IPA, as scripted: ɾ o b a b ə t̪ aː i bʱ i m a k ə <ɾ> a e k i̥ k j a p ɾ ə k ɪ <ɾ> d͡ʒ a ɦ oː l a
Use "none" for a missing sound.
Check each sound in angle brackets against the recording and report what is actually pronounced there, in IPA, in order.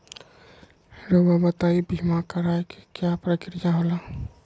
ɾ, ɾ

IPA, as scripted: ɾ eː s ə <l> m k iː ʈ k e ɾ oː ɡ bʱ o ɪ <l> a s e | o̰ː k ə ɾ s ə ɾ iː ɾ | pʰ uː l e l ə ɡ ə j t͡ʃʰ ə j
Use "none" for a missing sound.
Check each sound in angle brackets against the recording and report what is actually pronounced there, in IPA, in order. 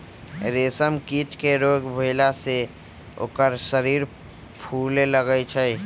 none, l

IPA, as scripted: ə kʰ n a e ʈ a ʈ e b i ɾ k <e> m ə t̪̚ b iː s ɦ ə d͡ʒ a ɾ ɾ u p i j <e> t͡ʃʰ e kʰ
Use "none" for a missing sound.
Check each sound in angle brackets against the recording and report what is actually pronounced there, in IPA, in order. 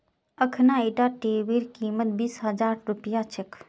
i, a

